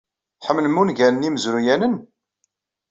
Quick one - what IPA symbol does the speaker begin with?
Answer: ħ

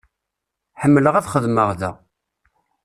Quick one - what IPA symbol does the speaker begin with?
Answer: ħ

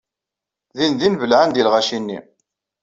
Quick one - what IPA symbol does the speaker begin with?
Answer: ð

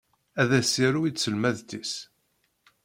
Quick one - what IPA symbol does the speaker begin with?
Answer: æ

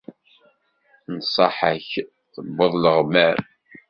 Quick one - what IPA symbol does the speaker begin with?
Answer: n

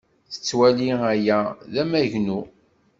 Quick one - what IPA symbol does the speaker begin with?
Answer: θ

